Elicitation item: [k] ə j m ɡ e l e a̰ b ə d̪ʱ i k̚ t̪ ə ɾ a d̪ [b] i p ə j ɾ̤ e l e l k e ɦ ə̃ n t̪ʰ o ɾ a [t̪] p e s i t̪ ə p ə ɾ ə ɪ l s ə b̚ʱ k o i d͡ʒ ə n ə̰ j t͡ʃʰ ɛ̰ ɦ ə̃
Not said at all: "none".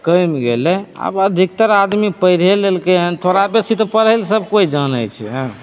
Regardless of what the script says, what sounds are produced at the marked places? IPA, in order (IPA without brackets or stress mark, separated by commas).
k, m, none